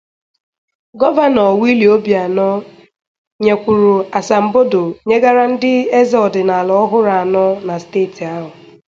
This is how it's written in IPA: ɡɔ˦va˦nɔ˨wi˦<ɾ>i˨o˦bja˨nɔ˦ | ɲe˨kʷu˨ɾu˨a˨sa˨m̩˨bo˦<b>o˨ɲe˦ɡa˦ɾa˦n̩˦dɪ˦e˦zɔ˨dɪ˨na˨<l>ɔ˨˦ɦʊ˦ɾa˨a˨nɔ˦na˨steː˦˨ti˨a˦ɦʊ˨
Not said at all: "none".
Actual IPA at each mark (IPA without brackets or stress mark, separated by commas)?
l, d, l